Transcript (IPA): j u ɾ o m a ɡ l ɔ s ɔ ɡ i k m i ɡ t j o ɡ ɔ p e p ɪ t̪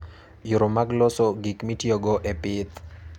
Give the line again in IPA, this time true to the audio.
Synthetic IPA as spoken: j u ɾ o m a ɡ l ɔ s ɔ ɡ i k m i t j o ɡ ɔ ʔ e p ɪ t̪